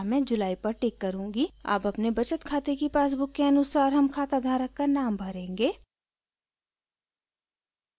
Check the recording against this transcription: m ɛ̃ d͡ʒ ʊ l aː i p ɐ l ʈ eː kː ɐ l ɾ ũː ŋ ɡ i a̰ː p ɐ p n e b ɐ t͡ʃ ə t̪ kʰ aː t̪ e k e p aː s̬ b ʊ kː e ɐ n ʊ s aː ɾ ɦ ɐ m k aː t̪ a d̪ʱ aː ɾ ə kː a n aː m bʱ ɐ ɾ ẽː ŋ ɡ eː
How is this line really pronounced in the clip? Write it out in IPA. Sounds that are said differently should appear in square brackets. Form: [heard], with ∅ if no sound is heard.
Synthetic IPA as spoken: m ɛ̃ d͡ʒ ʊ l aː i p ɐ [ɾ] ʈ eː kː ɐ [∅] ɾ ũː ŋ ɡ i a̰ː p ɐ p n e b ɐ t͡ʃ ə t̪ kʰ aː t̪ e k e p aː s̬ b ʊ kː e ɐ n ʊ s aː ɾ ɦ ɐ m [kʰ] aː t̪ a d̪ʱ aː ɾ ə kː a n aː m bʱ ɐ ɾ ẽː ŋ ɡ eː